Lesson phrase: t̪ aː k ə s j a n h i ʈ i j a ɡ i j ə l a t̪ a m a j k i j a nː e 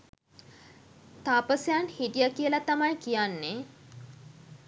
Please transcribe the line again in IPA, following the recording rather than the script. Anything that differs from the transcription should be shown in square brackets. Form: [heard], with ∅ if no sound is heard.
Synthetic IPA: t̪ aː [p] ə s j a n h i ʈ i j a [k] i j ə l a t̪ a m a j k i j a nː e